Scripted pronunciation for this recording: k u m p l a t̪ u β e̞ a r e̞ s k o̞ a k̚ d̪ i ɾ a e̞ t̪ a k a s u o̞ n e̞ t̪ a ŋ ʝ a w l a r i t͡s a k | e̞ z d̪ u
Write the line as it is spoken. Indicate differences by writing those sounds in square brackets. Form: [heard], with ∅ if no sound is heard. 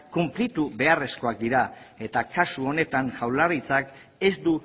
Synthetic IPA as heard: k u m p l [i] t̪ u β e̞ a r e̞ s k o̞ a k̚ d̪ i ɾ a e̞ t̪ a k a s u o̞ n e̞ t̪ a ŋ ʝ a w l a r i t͡s a k | e̞ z d̪ u